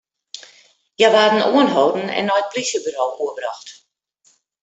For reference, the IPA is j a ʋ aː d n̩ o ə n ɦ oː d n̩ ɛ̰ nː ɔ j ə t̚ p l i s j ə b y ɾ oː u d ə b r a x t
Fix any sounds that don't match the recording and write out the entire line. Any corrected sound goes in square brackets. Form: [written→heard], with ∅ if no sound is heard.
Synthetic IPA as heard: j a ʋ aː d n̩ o ə n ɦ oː d n̩ ɛ̰ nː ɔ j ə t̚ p l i s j ə b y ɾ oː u [d→∅] ə b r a x t